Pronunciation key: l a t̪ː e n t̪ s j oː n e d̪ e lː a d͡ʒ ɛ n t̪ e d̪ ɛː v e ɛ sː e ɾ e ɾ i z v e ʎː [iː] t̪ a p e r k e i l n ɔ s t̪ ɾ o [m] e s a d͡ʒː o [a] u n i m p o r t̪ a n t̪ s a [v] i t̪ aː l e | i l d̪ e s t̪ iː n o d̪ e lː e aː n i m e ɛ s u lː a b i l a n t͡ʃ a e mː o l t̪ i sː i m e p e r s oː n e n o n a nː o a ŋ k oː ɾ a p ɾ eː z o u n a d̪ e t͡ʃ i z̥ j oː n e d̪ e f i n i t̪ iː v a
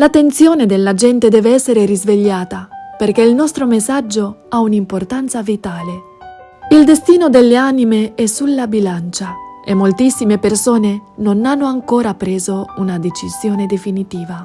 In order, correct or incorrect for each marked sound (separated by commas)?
incorrect, correct, correct, correct